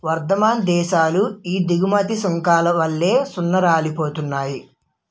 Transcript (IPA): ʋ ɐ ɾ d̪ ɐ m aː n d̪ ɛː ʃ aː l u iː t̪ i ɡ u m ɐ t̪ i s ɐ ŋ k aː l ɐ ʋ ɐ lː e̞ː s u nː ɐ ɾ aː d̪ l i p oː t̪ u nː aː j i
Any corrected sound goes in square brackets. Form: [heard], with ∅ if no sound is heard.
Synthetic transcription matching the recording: ʋ ɐ ɾ d̪ ɐ m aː n d̪ ɛː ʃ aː l u iː [d̪] i ɡ u m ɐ t̪ i s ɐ ŋ k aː l ɐ ʋ ɐ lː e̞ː s u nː ɐ ɾ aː [∅] l i p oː t̪ u nː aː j i